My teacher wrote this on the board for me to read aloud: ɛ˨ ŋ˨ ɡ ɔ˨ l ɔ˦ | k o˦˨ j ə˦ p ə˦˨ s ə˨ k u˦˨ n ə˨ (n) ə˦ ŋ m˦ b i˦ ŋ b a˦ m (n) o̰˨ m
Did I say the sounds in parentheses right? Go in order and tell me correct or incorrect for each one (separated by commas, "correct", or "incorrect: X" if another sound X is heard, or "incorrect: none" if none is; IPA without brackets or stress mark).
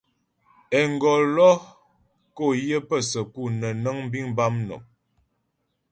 correct, correct